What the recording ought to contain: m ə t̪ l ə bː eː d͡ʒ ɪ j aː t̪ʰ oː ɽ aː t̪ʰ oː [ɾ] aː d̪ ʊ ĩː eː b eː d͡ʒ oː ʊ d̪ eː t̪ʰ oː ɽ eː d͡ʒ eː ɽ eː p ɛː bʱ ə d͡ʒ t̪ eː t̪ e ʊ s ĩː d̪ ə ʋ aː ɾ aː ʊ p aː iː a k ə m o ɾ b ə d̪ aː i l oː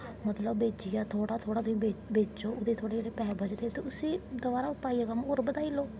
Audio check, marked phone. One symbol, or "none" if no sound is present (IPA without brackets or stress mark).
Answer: ɽ